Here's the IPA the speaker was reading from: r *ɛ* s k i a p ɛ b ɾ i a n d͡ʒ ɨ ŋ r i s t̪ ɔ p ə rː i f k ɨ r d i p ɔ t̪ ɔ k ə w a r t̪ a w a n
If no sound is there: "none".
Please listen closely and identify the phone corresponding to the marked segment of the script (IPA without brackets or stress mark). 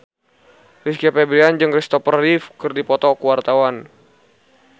i